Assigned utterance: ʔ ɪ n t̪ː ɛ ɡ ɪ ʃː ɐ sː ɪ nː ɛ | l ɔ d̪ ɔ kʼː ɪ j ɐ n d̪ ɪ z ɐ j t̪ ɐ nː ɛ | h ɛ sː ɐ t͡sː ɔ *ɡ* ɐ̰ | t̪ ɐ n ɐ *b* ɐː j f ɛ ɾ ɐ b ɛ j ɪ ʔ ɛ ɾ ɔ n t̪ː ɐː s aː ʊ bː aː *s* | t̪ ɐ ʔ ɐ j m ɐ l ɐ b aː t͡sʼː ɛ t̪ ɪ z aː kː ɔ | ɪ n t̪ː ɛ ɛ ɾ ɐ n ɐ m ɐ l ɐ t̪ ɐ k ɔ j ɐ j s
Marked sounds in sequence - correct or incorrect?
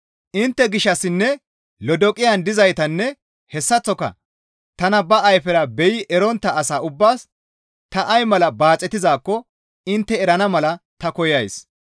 incorrect: k, correct, correct

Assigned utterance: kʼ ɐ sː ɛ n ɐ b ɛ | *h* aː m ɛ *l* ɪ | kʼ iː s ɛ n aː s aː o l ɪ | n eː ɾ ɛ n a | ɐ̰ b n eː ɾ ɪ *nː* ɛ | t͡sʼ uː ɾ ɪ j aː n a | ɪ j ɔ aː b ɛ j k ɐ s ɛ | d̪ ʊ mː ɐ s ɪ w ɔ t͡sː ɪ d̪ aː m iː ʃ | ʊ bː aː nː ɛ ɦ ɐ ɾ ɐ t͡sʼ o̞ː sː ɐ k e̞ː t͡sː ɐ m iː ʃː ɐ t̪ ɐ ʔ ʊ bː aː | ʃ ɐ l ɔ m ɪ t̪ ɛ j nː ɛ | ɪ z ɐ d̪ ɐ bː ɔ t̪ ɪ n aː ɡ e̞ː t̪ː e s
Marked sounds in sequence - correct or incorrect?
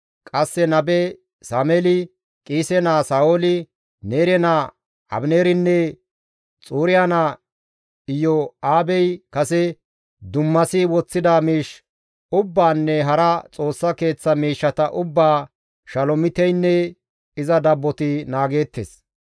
incorrect: s, correct, correct

